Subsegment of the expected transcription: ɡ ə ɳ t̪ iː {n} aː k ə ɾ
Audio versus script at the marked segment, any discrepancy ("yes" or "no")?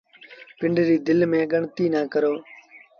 no